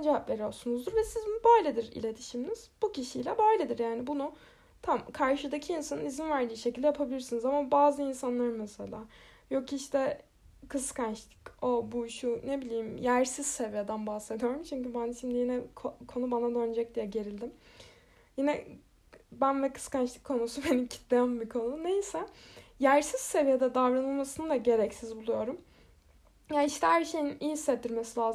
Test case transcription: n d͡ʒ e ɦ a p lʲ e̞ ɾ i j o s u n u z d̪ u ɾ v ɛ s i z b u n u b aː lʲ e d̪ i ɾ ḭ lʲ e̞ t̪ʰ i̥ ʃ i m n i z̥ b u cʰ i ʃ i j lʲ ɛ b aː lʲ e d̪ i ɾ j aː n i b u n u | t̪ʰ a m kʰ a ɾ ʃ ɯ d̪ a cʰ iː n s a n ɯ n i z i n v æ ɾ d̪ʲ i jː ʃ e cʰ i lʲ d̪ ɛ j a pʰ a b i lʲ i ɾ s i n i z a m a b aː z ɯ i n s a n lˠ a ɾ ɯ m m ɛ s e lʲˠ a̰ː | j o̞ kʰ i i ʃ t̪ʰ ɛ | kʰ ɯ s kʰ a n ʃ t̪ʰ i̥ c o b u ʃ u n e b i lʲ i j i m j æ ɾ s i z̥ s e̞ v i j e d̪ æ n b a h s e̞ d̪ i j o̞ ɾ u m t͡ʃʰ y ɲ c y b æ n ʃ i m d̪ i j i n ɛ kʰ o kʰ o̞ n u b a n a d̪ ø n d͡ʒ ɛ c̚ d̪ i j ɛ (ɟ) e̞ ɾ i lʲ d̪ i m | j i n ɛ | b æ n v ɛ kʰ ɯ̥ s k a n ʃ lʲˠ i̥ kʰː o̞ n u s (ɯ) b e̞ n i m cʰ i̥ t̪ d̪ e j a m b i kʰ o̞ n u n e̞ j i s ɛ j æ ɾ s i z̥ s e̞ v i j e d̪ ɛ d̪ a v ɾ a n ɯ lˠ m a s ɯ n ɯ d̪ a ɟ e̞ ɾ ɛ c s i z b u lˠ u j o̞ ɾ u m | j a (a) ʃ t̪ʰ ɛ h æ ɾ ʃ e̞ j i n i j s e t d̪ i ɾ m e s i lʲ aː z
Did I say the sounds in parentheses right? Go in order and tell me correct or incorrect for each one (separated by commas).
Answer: correct, incorrect, incorrect